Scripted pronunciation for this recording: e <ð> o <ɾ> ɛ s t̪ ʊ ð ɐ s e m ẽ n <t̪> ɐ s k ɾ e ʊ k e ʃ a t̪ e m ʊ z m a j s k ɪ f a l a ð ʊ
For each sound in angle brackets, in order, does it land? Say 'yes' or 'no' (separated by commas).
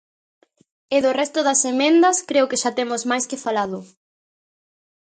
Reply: yes, no, no